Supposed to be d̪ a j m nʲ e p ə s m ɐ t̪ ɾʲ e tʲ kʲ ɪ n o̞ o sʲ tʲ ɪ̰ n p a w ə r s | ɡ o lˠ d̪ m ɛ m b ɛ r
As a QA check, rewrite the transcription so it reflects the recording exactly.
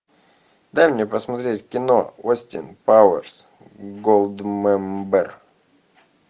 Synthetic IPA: d̪ a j m nʲ e p ə s m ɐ t̪ ɾʲ e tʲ kʲ ɪ n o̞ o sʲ tʲ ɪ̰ n p a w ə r s | ɡ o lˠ d̪ m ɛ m b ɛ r